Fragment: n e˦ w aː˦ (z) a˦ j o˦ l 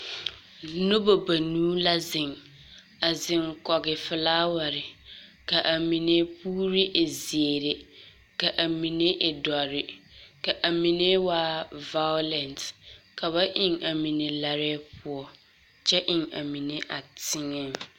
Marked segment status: incorrect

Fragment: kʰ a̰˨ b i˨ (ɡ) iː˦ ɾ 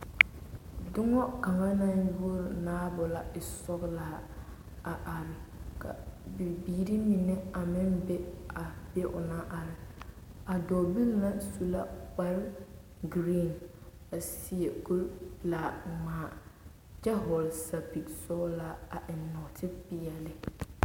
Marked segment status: incorrect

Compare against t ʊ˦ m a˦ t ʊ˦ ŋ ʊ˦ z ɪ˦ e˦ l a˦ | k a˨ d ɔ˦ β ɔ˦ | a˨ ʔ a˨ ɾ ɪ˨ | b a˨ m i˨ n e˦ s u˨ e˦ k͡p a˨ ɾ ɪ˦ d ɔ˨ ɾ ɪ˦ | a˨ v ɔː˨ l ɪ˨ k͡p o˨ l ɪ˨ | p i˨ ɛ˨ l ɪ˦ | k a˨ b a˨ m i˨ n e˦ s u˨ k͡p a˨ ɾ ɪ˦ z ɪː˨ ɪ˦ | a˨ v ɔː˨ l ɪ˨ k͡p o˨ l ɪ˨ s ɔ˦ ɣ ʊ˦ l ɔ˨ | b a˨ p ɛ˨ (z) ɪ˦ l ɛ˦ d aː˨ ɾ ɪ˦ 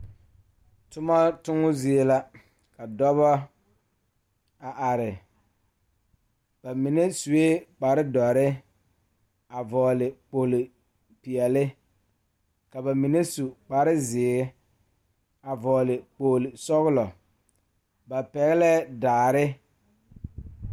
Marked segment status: incorrect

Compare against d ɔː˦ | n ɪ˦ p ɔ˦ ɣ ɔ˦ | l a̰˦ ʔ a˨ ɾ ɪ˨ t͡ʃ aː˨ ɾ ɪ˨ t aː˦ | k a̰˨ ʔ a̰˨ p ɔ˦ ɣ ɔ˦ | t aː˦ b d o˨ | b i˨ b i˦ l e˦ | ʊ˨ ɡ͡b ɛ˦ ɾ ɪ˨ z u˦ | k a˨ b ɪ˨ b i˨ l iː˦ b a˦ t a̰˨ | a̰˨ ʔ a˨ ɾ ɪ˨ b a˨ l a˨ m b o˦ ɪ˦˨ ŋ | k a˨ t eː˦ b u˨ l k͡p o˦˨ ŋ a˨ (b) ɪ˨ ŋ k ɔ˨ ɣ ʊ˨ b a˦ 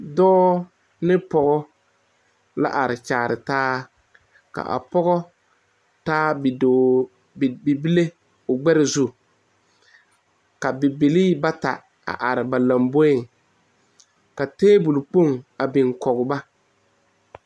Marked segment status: correct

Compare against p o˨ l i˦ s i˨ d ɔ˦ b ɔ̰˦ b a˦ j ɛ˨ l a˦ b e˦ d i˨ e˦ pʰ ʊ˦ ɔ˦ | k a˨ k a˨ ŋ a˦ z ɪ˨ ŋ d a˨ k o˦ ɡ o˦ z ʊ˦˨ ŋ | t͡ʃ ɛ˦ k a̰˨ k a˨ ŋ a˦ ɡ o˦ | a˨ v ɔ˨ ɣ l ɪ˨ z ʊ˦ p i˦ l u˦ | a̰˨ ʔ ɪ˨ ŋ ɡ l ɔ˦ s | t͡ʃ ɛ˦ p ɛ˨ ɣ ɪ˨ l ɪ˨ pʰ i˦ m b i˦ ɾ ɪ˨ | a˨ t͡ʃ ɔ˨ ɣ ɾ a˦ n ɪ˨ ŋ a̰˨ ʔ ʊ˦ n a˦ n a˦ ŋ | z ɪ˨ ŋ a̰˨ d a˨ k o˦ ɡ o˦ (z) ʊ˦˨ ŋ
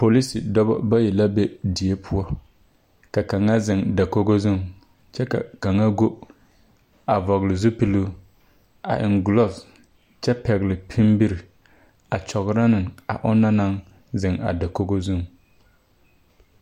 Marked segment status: correct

